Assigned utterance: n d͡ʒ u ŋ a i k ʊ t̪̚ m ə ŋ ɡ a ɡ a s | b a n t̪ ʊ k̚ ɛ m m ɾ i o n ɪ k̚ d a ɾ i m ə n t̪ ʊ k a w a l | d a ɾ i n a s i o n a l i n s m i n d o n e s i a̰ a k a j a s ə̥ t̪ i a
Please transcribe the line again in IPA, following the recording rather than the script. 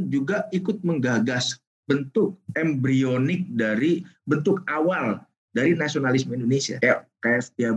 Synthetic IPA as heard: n d͡ʒ u ɡ a i k ʊ t̪̚ m ə ŋ ɡ a ɡ a s | b ə n t̪ ʊ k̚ ɛ m b ɾ i o n ɪ k̚ d a ɾ i b ə n t̪ ʊ k a w a l | d a ɾ i n a s i o n a l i s m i n d o n e s i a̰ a k a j a s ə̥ t̪ i a